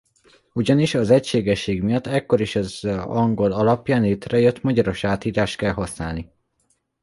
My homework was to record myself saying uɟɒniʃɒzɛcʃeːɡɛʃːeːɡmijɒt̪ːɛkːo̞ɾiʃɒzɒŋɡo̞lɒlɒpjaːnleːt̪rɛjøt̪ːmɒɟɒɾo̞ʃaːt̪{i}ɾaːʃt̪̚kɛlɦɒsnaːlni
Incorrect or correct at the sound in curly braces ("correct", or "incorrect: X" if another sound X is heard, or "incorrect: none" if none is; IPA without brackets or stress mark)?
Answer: incorrect: iː